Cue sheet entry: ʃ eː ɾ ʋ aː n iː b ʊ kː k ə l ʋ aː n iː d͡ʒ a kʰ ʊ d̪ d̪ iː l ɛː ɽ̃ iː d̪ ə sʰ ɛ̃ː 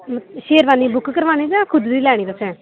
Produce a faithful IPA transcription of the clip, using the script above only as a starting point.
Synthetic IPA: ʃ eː ɾ ʋ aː n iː b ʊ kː k ə ɾ ʋ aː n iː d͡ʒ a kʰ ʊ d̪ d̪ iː l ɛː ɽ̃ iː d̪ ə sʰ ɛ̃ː